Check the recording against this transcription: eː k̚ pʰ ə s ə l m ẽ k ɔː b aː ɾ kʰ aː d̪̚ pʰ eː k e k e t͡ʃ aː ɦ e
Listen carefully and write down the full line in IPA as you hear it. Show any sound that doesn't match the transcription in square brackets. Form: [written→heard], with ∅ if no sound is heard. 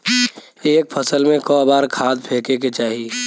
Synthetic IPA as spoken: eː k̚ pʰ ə s ə l m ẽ k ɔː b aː ɾ kʰ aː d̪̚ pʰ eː k e k e t͡ʃ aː ɦ [e→i]